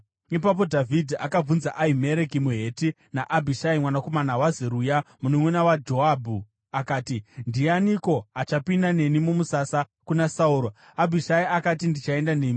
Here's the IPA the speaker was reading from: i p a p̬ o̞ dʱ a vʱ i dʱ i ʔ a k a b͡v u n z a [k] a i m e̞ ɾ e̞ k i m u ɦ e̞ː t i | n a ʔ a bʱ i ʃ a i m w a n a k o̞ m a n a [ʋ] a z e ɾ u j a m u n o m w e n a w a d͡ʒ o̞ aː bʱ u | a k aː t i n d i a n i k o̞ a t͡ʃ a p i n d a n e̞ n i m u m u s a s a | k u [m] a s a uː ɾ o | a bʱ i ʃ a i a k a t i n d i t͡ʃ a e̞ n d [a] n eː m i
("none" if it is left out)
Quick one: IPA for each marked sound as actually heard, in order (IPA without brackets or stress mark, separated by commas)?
ʔ, w, n, a